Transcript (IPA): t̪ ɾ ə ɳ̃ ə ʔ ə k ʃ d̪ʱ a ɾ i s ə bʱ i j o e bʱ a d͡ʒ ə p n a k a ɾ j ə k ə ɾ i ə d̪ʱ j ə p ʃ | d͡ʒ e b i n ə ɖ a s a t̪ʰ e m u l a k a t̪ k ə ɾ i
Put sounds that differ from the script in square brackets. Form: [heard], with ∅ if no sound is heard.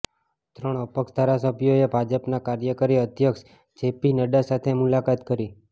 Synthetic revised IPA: t̪ ɾ ə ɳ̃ ə [p] ə k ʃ d̪ʱ a ɾ [a] s ə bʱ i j o e bʱ a d͡ʒ ə p n a k a ɾ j ə k ə ɾ i ə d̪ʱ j ə [k] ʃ | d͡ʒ e [p] i n ə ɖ a s a t̪ʰ e m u l a k a t̪ k ə ɾ i